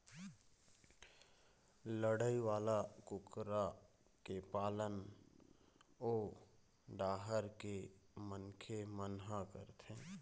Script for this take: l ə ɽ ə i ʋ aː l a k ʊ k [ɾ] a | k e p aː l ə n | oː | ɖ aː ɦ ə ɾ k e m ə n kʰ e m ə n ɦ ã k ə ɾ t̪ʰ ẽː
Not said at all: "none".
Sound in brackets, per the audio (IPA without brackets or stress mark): ɾ